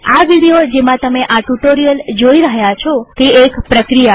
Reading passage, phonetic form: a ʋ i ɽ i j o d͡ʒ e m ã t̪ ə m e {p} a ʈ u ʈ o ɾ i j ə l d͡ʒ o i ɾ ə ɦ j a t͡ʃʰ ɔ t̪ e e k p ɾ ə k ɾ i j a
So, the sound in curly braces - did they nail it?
no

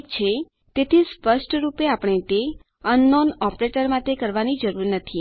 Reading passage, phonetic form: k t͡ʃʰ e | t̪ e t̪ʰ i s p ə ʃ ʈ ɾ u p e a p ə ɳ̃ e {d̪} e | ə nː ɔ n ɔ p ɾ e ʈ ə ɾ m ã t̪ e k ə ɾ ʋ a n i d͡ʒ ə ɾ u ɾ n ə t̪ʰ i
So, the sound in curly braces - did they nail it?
no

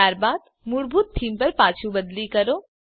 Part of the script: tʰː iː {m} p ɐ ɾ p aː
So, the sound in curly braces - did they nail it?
yes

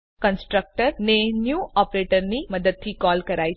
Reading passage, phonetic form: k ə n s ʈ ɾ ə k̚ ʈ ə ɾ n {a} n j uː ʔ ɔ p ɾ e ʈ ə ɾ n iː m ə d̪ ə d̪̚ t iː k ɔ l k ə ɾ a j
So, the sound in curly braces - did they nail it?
no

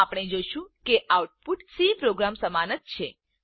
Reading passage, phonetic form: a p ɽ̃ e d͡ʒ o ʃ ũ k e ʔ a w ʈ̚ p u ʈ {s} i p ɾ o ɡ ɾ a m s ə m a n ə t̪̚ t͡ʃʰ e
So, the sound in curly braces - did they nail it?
yes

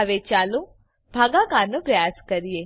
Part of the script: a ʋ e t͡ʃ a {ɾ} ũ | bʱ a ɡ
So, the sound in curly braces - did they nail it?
no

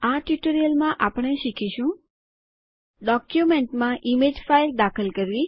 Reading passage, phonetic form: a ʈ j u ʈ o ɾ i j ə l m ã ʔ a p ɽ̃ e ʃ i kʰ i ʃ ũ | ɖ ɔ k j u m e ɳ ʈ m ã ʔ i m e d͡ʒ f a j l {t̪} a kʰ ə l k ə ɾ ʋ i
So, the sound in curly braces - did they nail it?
no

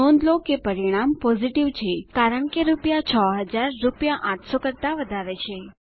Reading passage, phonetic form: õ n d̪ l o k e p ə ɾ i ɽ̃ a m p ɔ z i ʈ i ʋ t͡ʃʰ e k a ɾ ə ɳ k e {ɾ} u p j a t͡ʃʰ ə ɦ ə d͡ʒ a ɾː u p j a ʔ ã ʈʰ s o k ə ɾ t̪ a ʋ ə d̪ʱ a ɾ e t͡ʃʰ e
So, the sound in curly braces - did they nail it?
yes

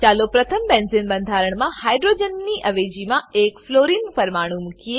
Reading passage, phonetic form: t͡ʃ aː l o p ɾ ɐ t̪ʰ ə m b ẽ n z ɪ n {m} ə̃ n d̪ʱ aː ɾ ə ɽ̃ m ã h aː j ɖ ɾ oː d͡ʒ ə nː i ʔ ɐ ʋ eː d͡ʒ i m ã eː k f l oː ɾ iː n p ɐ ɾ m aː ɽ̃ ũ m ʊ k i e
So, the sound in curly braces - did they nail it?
no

